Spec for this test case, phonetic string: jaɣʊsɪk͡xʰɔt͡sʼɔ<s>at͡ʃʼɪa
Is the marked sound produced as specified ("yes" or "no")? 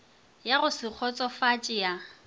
no